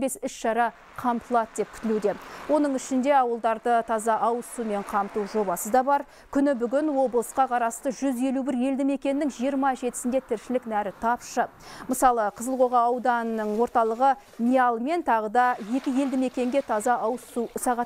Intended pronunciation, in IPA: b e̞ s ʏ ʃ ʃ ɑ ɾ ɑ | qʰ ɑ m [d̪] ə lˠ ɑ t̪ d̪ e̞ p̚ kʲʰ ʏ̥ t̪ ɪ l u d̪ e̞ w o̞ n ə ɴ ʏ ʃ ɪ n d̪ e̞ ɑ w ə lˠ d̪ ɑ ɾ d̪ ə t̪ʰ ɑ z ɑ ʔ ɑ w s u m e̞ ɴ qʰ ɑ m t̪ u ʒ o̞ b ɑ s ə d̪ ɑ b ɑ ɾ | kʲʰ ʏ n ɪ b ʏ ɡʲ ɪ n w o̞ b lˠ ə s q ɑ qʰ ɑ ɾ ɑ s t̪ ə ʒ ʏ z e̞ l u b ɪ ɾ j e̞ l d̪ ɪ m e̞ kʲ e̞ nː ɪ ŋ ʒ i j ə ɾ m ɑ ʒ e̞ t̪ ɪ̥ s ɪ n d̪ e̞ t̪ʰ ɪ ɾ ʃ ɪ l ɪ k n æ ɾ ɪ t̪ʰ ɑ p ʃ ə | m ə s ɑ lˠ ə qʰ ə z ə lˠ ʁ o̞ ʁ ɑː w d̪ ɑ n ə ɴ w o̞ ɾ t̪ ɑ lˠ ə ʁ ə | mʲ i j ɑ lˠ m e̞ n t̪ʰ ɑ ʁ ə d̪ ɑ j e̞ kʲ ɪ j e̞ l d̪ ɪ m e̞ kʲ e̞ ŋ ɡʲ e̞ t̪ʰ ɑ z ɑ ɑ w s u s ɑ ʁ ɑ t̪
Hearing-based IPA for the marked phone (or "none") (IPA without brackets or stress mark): t̪